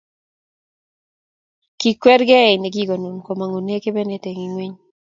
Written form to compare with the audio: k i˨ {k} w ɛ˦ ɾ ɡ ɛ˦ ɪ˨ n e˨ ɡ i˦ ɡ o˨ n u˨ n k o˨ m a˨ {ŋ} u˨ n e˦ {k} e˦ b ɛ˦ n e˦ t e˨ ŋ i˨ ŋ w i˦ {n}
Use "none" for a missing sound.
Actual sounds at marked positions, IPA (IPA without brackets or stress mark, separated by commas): k, ŋ, k, ɲ